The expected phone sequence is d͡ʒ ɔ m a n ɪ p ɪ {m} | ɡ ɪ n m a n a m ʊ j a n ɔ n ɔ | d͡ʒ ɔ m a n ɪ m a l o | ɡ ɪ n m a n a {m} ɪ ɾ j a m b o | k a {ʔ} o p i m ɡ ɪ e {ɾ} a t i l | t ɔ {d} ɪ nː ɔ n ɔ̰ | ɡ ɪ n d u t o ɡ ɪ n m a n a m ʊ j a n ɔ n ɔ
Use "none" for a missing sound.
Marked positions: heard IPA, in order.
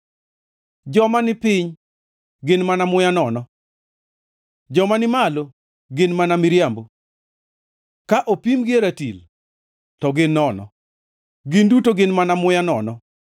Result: ɲ, m, ʔ, ɾ, ɡ

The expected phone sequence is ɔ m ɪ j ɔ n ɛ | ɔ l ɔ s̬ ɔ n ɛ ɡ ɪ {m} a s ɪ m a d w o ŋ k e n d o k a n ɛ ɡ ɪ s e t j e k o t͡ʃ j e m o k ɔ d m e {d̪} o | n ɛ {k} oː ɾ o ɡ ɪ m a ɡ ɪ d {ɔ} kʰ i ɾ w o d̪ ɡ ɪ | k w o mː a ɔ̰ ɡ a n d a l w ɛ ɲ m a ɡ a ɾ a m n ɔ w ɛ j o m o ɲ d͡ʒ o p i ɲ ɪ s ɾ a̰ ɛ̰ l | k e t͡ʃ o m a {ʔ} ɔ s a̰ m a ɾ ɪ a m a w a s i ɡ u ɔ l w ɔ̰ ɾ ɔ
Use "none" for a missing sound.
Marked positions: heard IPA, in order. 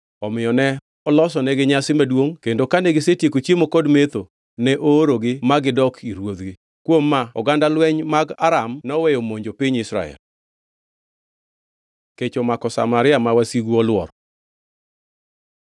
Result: ɲ, t̪, ʔ, ɔ, k

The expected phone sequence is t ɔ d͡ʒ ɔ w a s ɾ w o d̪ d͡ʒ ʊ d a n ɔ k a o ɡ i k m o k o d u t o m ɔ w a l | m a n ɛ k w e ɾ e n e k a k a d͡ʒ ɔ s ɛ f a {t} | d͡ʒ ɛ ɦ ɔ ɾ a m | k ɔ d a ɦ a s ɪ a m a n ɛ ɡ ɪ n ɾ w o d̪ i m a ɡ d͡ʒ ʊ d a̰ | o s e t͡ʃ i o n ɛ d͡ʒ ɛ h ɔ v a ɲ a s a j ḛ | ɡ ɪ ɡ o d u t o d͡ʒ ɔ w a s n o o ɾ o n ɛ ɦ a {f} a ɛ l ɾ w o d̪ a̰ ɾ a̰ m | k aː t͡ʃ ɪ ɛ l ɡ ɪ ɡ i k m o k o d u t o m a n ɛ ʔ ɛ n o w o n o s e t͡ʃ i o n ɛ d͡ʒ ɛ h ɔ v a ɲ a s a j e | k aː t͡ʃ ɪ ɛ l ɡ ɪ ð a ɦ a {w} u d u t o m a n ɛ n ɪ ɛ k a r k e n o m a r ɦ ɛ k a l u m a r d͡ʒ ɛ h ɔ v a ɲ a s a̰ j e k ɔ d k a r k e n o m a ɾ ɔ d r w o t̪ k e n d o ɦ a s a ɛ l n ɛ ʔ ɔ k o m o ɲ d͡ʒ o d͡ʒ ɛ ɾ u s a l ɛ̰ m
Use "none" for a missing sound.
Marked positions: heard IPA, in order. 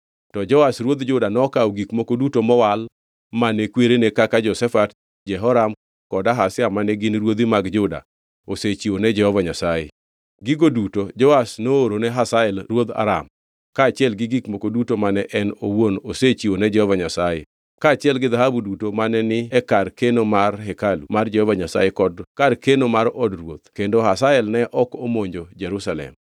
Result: t, s, b

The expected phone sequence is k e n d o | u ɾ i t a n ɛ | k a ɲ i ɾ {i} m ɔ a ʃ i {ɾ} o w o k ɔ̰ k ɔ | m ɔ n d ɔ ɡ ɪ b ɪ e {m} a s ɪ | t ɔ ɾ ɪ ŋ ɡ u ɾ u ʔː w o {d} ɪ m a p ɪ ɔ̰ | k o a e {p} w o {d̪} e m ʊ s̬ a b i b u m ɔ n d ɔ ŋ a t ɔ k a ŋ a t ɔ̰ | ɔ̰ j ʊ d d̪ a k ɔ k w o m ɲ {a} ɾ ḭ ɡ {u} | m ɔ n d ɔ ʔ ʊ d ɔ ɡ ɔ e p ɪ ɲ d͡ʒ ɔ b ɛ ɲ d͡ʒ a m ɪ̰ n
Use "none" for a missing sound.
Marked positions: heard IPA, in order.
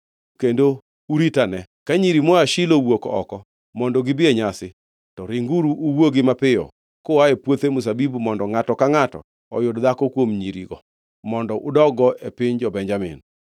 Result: i, l, ɲ, ɡ, p, t̪, i, ɔ

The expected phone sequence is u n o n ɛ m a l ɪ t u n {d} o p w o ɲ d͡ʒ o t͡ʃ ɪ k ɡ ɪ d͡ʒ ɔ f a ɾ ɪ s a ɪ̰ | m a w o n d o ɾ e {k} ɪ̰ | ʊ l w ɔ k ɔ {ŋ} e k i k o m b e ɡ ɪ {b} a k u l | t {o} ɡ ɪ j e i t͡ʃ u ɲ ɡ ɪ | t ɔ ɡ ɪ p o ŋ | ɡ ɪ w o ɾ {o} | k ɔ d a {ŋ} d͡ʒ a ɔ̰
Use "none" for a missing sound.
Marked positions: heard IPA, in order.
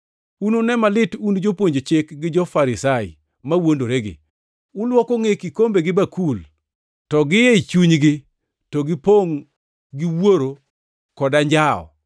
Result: d͡ʒ, ɡ, ŋ, b, ɔ, o, ɲ

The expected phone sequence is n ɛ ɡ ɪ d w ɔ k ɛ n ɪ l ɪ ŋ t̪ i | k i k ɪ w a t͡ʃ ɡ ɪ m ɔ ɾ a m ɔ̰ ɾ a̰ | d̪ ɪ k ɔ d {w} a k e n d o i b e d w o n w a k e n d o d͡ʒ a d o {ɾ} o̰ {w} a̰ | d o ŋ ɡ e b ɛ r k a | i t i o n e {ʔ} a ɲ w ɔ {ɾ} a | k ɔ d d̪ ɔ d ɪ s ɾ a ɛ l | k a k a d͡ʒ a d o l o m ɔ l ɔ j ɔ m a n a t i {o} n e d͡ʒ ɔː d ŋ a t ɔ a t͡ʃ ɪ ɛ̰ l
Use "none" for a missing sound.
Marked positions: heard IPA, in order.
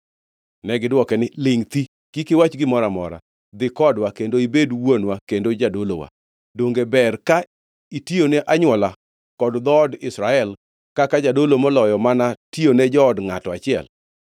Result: w, l, w, ʔ, l, o

